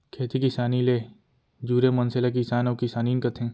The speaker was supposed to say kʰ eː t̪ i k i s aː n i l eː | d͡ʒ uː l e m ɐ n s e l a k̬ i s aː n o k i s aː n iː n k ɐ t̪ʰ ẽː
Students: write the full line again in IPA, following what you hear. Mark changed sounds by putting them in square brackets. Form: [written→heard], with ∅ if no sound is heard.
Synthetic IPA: kʰ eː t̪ i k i s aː n i l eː | d͡ʒ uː [l→ɾ] e m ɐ n s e l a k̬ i s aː n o k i s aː n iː n k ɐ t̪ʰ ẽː